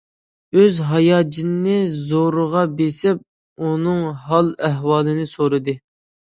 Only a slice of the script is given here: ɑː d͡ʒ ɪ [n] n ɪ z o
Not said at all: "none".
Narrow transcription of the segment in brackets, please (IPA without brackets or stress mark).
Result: n